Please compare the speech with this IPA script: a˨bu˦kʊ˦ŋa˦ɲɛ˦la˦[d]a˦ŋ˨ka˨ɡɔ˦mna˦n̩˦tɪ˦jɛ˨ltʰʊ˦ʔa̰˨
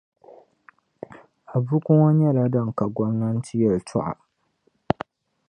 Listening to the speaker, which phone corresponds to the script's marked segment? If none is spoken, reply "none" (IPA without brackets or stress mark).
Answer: d